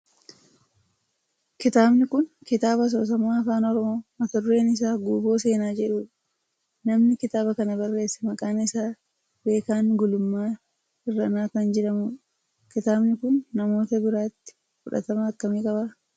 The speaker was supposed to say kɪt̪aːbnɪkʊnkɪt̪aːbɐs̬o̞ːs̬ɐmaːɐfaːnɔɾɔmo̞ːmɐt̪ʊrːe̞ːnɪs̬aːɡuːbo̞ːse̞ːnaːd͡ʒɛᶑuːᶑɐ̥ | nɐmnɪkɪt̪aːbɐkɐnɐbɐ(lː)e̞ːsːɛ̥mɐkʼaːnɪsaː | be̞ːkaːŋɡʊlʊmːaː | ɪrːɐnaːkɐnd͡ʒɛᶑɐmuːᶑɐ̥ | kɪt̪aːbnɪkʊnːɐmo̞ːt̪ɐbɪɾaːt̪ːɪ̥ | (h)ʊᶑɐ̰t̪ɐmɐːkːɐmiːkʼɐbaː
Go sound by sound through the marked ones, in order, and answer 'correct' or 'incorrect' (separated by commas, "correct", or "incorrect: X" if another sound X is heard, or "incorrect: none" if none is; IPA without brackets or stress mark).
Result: incorrect: rː, incorrect: f